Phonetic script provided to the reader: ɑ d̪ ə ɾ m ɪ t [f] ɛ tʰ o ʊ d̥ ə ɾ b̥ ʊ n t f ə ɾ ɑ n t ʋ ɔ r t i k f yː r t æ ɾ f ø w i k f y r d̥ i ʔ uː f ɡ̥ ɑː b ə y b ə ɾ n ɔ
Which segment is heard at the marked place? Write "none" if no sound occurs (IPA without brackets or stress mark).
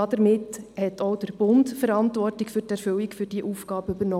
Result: h